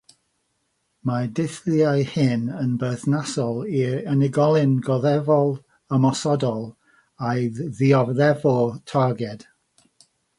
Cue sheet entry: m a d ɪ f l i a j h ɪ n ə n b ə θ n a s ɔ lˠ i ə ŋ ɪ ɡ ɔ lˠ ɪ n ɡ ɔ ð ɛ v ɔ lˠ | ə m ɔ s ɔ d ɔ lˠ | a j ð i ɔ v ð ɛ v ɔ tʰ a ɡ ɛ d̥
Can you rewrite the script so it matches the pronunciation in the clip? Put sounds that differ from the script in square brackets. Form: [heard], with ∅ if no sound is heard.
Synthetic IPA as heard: m a d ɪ [θ] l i a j h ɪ n ə n b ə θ n a s ɔ lˠ i ə [n] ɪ ɡ ɔ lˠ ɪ n ɡ ɔ ð ɛ v ɔ lˠ | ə m ɔ s ɔ d ɔ lˠ | a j ð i ɔ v ð ɛ v ɔ tʰ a ɡ ɛ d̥